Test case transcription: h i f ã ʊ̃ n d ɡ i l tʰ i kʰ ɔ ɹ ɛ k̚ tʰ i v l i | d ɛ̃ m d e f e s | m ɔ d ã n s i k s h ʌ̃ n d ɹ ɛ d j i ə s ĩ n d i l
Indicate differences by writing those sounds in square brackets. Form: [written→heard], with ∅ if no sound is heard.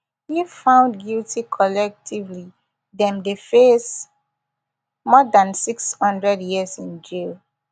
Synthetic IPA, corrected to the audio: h i f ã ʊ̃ n d ɡ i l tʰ i kʰ ɔ [ɹ→l] ɛ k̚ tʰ i v l i | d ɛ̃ m d e f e s | m ɔ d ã n s i k s h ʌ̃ n d ɹ ɛ d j i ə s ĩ n [d→d͡ʒ] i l